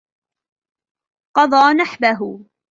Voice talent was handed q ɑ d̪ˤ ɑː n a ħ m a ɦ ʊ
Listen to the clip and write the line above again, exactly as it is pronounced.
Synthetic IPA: q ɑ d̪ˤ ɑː n a ħ b a ɦ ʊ